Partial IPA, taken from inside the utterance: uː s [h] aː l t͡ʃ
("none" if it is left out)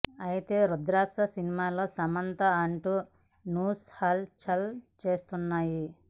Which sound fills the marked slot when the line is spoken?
h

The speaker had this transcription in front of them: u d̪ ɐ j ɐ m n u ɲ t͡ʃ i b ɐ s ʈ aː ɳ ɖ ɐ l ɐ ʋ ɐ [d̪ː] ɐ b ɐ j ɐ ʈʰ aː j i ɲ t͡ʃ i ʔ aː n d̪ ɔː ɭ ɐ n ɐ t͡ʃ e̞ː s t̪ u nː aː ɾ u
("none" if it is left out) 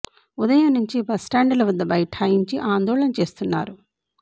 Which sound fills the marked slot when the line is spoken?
d̪ː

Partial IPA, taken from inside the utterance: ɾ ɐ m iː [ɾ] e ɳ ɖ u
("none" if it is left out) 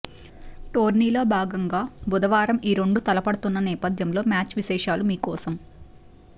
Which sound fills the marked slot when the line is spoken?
ɾ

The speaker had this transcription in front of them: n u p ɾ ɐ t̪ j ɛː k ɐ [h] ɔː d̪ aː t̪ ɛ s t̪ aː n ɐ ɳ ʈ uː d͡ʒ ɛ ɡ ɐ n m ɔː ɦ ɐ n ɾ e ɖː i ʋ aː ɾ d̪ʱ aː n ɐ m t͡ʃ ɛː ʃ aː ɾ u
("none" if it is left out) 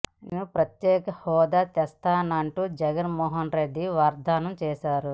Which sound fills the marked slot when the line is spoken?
h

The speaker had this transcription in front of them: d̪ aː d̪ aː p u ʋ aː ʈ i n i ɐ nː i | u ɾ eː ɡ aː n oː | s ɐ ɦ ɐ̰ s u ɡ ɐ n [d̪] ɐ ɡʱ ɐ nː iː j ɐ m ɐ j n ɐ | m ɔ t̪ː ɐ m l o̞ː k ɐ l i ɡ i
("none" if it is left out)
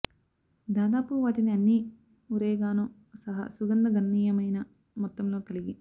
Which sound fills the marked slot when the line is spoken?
d̪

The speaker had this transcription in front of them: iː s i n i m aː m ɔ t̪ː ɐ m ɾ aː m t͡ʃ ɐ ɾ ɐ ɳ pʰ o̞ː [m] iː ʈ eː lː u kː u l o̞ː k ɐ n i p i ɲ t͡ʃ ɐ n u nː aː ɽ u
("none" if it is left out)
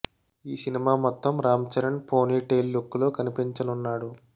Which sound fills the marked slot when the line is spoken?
n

